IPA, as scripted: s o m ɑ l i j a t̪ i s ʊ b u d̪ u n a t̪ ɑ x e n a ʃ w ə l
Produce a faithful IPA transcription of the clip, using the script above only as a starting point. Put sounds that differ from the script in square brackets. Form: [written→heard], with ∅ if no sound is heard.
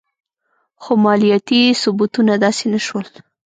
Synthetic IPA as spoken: [s→x] o m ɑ l i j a t̪ i s ʊ b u [d̪→t̪] u n a [t̪→d̪] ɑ [x→s] e n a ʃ w ə l